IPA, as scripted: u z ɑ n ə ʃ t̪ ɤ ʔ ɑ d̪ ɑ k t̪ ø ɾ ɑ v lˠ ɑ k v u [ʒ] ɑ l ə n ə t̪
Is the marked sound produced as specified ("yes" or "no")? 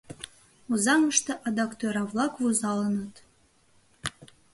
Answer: no